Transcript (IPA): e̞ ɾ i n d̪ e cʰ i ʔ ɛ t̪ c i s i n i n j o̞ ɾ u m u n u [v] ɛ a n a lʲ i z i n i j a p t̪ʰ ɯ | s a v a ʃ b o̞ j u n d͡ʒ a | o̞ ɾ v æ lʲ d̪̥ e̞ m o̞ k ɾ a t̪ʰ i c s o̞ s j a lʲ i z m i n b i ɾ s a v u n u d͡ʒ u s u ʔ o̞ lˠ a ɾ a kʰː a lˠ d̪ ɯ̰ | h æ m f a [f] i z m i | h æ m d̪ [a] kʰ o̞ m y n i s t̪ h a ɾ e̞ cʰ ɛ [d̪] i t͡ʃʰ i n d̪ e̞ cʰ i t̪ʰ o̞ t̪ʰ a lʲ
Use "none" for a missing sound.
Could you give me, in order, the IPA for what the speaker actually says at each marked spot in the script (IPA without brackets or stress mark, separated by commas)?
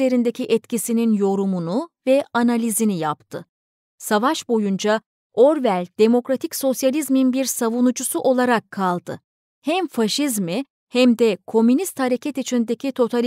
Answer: v, ʃ, ɛ, t̪